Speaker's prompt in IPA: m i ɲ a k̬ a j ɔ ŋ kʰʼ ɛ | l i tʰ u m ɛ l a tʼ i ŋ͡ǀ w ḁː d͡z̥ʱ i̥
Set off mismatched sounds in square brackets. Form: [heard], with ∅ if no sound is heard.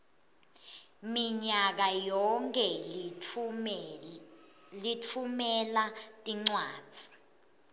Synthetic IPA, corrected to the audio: m i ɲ a k̬ a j ɔ ŋ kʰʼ ɛ | l i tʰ u m ɛ l a tʼ i ŋ͡ǀ w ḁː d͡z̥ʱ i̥